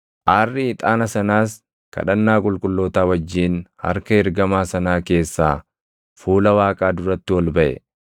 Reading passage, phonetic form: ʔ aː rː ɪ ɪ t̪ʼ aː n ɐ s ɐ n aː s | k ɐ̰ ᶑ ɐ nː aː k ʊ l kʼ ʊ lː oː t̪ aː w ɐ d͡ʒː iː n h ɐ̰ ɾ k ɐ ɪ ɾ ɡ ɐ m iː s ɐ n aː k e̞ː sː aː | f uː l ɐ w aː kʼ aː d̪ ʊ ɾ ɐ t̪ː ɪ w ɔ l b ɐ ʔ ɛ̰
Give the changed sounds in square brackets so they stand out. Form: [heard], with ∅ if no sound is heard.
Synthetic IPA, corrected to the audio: ʔ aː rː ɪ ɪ t̪ʼ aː n ɐ s ɐ n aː s | k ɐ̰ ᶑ ɐ nː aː [kʼ] ʊ l kʼ ʊ lː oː t̪ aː w ɐ d͡ʒː iː n h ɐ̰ ɾ k ɐ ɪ ɾ ɡ ɐ m [aː] s ɐ n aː k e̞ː sː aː | f uː l ɐ w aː kʼ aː d̪ ʊ ɾ ɐ t̪ː ɪ w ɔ l b ɐ ʔ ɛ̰